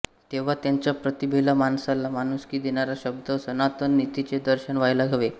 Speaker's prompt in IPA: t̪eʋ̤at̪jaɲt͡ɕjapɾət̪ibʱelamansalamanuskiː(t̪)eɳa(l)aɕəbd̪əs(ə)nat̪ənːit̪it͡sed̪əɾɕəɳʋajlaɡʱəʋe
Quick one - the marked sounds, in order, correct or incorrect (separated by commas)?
incorrect, incorrect, correct